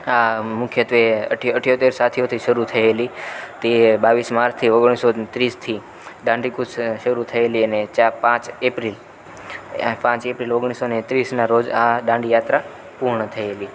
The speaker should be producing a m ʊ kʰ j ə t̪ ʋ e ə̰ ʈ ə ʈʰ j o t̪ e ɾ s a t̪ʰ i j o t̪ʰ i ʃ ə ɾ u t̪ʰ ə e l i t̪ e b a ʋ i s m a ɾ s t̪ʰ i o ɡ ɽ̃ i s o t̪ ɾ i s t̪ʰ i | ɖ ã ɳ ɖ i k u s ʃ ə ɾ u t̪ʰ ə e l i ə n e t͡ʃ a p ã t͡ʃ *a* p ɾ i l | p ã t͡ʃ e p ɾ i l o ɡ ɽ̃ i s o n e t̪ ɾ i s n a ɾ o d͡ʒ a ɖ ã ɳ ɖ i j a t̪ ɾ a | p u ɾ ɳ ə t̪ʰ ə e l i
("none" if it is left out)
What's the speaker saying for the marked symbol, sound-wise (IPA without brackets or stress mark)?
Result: e